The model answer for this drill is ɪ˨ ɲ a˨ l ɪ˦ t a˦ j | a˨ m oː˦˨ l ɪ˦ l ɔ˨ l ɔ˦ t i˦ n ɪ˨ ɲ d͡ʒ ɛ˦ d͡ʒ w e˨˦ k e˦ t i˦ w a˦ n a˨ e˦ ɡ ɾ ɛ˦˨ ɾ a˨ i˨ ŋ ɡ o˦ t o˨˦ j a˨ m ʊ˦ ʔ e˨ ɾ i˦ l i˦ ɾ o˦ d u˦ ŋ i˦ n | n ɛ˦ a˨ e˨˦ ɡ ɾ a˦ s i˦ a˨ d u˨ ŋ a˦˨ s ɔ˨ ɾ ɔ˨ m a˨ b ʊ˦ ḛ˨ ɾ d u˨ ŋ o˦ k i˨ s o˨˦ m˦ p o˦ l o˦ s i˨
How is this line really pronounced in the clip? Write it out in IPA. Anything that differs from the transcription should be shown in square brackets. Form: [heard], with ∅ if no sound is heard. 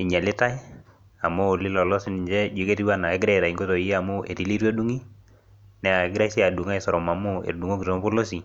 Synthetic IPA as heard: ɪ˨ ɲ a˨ l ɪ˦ t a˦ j | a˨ m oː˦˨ l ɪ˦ l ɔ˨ l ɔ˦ [s] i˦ n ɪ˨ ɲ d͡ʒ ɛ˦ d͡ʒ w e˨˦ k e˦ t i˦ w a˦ n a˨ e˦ ɡ ɾ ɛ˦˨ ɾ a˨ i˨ ŋ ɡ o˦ t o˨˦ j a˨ m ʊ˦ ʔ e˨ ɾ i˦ l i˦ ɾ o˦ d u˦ ŋ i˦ [∅] | n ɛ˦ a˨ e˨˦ ɡ ɾ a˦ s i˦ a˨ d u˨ ŋ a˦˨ s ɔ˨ ɾ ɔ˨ m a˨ [m] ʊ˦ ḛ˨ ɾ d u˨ ŋ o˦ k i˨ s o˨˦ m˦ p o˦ l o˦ s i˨

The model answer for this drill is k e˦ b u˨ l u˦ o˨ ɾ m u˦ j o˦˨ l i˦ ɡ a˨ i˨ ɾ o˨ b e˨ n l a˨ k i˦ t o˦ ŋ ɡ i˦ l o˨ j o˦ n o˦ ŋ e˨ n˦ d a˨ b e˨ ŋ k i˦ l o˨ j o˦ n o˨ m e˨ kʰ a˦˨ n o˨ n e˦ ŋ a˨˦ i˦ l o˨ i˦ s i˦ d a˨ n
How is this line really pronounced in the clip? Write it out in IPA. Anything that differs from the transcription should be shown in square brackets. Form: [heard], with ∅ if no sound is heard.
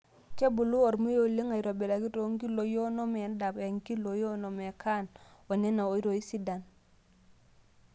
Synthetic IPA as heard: k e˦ b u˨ l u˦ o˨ ɾ m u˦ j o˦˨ l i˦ [ŋ] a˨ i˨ ɾ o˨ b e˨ [∅] l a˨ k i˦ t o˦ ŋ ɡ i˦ l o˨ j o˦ n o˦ [m] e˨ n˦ d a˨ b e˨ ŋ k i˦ l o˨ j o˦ n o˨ m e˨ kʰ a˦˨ n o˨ n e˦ [n] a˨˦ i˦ [ɾ] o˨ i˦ s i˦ d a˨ n

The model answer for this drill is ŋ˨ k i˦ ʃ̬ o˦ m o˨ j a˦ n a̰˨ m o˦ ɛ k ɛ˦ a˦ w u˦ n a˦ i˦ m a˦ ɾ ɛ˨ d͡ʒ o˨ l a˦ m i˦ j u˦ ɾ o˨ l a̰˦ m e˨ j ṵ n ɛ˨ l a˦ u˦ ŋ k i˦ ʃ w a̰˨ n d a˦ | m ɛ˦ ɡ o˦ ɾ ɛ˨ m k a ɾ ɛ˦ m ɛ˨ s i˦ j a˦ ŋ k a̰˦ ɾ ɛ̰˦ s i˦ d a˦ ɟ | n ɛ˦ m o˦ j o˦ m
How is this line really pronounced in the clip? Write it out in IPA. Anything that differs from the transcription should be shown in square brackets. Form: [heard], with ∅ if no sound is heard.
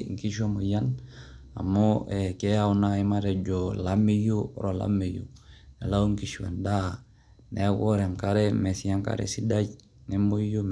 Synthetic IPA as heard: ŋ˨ k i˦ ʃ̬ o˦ m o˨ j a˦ n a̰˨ m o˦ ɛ k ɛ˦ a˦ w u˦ n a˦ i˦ m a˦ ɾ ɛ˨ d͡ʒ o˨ l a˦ m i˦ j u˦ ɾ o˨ l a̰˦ m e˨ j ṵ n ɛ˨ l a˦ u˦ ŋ k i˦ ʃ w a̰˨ n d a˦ | [n] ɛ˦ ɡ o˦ ɾ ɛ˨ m k a ɾ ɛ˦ m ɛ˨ s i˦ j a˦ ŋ k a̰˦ ɾ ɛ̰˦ s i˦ d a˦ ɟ | n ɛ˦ m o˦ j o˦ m

